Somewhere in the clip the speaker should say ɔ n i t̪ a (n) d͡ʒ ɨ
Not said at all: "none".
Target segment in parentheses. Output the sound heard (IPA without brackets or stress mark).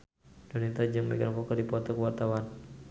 none